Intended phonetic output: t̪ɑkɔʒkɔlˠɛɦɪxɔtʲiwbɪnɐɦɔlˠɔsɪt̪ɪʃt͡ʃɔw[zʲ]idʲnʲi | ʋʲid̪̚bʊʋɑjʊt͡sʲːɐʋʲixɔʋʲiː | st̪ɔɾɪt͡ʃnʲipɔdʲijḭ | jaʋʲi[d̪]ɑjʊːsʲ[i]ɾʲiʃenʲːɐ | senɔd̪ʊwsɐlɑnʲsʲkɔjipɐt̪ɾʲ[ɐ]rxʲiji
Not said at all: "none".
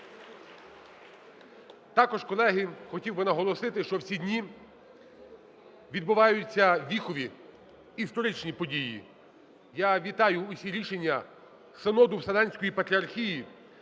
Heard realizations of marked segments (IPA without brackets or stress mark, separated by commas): sʲ, t̪, i, ɐ